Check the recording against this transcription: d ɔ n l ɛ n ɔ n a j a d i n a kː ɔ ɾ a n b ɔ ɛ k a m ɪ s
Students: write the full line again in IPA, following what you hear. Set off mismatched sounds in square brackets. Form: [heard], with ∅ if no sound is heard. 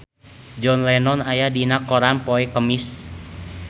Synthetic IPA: [d͡ʒ] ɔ n l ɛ n ɔ n a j a d i n a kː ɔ ɾ a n [p] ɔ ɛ k [ə] m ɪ s